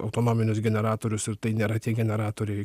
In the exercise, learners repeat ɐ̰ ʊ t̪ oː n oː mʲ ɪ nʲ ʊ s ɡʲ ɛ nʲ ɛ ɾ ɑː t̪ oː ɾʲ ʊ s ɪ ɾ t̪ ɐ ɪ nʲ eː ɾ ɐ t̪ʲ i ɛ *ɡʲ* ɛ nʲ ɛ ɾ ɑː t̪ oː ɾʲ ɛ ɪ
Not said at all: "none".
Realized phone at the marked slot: ɡʲ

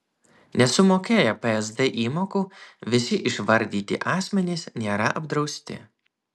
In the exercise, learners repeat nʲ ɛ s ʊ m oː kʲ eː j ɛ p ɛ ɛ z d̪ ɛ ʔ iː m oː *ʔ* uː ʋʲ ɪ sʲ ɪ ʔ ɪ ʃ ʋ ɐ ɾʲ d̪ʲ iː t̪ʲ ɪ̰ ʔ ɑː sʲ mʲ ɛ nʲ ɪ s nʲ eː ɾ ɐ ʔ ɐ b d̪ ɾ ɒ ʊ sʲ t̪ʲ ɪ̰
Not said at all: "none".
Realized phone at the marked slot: k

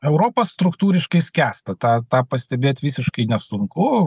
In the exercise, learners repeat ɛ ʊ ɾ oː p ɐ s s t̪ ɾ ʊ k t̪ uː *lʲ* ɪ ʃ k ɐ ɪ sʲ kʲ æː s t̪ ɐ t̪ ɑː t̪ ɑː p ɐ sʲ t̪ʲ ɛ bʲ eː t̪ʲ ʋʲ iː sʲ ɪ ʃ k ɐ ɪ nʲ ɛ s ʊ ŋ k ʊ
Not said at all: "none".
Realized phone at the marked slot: ɾʲ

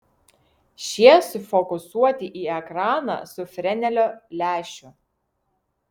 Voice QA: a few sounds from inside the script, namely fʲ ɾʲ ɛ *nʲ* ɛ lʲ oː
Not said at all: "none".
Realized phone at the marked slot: nʲ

